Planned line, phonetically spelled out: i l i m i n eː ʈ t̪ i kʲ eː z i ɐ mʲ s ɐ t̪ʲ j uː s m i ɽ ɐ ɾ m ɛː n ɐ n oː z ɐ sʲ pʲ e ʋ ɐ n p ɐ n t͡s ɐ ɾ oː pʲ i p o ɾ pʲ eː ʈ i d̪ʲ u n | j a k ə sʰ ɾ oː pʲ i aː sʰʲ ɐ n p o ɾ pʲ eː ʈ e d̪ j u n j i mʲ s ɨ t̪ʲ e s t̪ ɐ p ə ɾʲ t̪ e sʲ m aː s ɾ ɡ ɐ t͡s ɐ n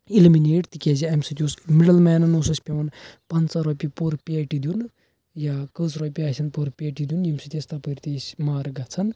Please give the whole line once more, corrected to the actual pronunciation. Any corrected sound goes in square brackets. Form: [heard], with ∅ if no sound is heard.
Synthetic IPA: i l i m i n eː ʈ t̪ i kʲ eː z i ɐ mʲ s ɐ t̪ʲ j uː s m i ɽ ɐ [l] m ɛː n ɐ n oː [s] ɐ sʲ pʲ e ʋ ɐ n p ɐ n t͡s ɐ ɾ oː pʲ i p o ɾ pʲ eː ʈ i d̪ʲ u n | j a k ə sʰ ɾ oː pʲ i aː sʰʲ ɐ n p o ɾ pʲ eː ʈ [i] d̪ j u n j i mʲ s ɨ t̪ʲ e s t̪ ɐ p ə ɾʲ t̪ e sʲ m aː [∅] ɾ ɡ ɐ [t͡sʰ] ɐ n